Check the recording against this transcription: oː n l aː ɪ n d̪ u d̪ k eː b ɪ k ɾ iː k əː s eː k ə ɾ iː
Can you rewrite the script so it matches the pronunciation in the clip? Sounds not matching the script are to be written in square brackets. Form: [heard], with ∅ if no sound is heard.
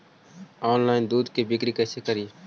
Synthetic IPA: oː n l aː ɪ n d̪ [uː] d̪ k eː b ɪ k ɾ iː k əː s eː k ə ɾ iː